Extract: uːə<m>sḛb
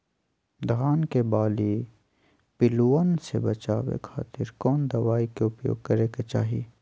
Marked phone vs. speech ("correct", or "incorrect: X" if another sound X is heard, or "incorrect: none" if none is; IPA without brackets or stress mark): incorrect: n